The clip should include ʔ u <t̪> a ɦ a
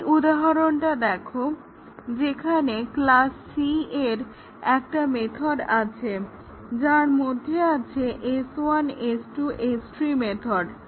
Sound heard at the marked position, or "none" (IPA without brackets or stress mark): d̪